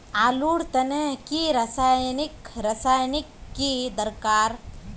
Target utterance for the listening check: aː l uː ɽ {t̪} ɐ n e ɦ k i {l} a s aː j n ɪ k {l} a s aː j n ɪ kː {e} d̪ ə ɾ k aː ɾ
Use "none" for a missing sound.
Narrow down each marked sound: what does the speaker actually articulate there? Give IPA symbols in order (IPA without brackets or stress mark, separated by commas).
t̪, ɾ, ɾ, i